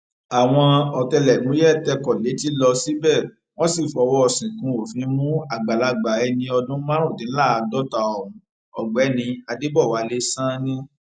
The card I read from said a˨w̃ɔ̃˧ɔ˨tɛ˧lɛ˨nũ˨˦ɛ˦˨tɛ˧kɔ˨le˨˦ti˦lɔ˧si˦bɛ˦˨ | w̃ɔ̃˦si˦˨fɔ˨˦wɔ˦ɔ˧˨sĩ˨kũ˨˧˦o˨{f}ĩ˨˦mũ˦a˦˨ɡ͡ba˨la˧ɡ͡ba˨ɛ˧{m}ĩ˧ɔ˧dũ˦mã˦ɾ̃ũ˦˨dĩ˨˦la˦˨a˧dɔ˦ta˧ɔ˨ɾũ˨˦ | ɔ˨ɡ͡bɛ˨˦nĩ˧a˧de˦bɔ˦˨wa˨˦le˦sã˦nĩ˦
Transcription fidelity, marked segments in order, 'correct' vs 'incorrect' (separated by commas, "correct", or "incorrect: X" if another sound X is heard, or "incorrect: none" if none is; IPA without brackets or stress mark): correct, incorrect: n